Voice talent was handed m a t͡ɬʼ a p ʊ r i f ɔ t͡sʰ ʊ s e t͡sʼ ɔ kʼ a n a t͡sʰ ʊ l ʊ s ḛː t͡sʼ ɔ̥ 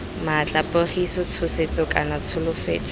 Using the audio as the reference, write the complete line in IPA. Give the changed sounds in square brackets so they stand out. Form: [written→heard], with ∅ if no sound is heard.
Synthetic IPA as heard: m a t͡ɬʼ a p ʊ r i [f→s] ɔ t͡sʰ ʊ s e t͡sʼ ɔ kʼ a n a t͡sʰ ʊ l ʊ [s→f] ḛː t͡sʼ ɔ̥